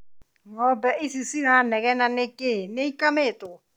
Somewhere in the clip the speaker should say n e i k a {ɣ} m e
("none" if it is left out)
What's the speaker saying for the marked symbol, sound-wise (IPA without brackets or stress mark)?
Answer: none